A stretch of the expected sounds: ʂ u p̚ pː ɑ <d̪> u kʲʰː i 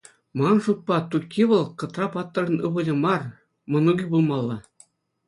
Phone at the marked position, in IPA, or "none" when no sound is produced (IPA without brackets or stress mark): t̪